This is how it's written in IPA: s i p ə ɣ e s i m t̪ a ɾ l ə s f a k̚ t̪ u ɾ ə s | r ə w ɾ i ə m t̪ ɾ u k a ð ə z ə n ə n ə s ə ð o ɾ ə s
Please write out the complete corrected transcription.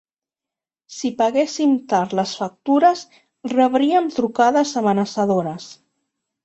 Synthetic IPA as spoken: s i p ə ɣ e s i m t̪ a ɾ l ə s f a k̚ t̪ u ɾ ə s | r ə β ɾ i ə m t̪ ɾ u k a ð ə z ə m ə n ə s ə ð o ɾ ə s

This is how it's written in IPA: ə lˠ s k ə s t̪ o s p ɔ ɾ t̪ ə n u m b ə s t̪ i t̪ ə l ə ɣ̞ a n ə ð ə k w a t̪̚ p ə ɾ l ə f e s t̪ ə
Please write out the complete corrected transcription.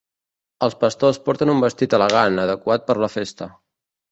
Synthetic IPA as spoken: ə lˠ s p ə s t̪ o s p ɔ ɾ t̪ ə n u m b ə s t̪ i t̪ ə l ə ɣ̞ a n ə ð ə k w a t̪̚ p ə ɾ l ə f e s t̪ ə

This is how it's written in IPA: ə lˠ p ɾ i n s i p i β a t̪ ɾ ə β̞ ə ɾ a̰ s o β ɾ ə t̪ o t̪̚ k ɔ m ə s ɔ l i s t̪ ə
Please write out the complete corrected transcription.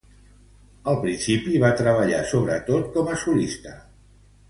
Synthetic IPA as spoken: ə lˠ p ɾ i n s i p i β a t̪ ɾ ə β̞ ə ʎ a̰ s o β ɾ ə t̪ o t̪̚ k ɔ m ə s u l i s t̪ ə

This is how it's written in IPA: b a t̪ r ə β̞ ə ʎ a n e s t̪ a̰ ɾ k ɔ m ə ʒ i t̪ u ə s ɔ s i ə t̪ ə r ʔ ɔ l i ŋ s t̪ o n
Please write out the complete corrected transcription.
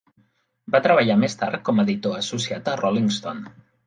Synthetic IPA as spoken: b a t̪ ɾ ə β̞ ə ʎ a m e s t̪ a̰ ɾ k ɔ m ə ð i t̪ o ə s u s i a t̪ ə r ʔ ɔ l i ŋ s t̪ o n

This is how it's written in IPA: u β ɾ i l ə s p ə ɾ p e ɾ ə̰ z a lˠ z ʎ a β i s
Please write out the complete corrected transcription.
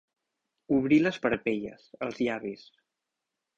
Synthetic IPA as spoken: u β ɾ i l ə s p ə ɾ p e ʎ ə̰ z ə lˠ z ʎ a β i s

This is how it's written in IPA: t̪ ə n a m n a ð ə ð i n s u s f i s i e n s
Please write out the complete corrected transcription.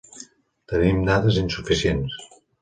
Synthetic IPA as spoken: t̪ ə n i m n a ð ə z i n s u f i s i e n s

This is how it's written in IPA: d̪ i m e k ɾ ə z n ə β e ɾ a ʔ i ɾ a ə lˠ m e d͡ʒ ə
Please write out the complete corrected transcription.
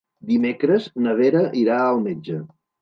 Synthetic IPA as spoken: d̪ i m e k ɾ ə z n ə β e ɾ ə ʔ i ɾ a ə lˠ m e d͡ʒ ə

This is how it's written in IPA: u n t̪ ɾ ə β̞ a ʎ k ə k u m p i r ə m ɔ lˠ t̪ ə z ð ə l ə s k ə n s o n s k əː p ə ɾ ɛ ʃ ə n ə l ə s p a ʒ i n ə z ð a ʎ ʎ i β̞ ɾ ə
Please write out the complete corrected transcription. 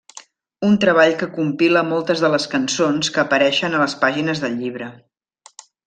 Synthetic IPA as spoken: u n t̪ ɾ ə β̞ a ʎ k ə k u m p i l ə m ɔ lˠ t̪ ə z ð ə l ə s k ə n s o n s k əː p ə ɾ ɛ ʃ ə n ə l ə s p a ʒ i n ə z ð ə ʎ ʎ i β̞ ɾ ə

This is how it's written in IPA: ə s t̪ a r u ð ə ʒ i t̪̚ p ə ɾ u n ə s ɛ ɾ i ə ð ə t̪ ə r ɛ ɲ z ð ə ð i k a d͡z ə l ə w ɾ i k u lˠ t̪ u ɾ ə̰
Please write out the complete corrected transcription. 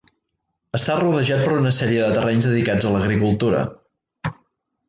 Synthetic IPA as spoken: ə s t̪ a r u ð ə ʒ a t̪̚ p ə ɾ u n ə s ɛ ɾ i ə ð ə t̪ ə r ɛ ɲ z ð ə ð i k a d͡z ə l ə ɣ ɾ i k u lˠ t̪ u ɾ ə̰

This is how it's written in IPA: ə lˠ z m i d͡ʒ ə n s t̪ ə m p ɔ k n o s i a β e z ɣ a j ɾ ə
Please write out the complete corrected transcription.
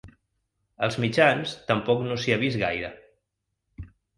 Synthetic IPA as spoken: ə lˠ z m i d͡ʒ a n s t̪ ə m p ɔ k n o s i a β i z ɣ a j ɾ ə

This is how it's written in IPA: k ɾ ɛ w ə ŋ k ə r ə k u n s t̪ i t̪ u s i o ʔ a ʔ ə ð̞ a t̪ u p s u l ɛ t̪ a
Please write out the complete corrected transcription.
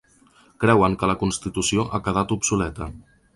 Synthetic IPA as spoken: k ɾ ɛ w ə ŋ k ə l ə k u n s t̪ i t̪ u s i o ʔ a k ə ð̞ a t̪ u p s u l ɛ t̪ ə

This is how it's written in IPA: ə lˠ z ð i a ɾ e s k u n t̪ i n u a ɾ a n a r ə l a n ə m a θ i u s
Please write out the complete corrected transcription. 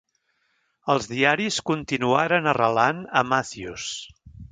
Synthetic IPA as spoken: ə lˠ z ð i a ɾ i s k u n t̪ i n u a ɾ ə n ə r ə l a n ə m a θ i u s

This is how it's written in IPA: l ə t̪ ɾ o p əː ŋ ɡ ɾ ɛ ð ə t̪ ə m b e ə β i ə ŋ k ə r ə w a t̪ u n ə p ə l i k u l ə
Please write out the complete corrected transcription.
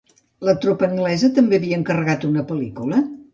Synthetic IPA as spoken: l ə t̪ ɾ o p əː ŋ ɡ l ɛ z ə t̪ ə m b e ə β i ə ŋ k ə r ə ɣ a t̪ u n ə p ə l i k u l ə

